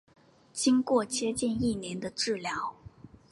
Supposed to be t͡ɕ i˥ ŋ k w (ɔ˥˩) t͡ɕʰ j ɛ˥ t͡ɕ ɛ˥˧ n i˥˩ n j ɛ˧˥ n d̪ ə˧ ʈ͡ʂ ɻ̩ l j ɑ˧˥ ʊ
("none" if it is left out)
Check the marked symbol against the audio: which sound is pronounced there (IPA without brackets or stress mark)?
ɔ˥˩